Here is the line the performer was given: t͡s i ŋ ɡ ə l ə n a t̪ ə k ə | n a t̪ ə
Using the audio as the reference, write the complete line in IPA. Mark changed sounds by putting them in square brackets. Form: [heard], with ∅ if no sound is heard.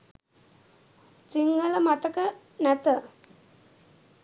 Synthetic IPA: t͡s i ŋ ɡ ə l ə [m] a t̪ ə k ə | n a t̪ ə

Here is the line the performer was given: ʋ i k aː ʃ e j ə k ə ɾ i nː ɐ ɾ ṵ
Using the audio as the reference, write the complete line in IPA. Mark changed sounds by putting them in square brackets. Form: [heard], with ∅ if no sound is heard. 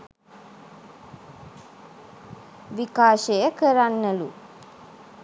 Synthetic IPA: ʋ i k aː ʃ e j ə k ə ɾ [a] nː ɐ [l] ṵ

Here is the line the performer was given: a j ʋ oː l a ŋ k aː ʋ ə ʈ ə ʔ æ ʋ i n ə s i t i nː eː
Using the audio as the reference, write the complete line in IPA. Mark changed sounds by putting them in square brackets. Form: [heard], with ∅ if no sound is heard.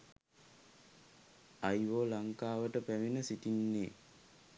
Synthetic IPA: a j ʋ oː l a ŋ k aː ʋ ə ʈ ə [p] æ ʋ i n ə s i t i nː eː

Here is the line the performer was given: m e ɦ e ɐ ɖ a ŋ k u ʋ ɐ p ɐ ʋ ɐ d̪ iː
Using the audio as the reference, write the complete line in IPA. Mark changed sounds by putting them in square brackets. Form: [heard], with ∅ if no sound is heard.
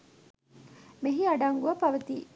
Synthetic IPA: m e ɦ [i] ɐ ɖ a ŋ [ɡ] u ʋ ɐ p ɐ ʋ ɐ [t̪] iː

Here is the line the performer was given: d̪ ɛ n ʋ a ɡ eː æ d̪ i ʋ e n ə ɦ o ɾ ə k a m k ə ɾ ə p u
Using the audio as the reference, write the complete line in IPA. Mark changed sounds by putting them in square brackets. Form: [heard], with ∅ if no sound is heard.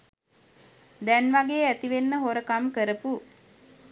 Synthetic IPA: d̪ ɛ n ʋ a ɡ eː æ [t̪] i ʋ e [nː] ə ɦ o ɾ ə k a m k ə ɾ ə p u

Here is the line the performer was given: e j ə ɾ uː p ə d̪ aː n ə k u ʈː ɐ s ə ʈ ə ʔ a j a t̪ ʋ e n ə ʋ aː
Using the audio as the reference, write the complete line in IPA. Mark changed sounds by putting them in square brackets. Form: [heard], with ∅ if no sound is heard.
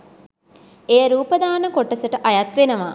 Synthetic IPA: e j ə ɾ uː p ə d̪ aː n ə k [o] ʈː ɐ s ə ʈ ə ʔ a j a t̪ ʋ e n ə ʋ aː

